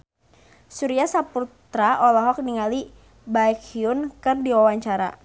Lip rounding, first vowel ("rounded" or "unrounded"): rounded